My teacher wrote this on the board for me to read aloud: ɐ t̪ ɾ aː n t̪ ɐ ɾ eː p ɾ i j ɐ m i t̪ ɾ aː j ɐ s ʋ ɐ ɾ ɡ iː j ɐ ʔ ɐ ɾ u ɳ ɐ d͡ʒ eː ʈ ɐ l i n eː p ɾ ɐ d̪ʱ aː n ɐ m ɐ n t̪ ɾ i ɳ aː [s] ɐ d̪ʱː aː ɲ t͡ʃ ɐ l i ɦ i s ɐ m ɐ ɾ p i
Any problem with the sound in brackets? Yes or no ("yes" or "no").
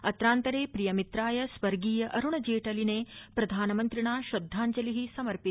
yes